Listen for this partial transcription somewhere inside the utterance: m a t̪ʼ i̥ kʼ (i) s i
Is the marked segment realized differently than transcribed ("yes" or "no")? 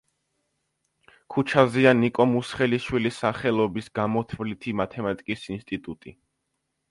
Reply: no